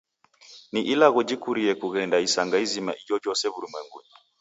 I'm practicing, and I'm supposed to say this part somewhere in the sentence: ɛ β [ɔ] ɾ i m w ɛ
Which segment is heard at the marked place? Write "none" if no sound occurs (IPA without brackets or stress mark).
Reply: u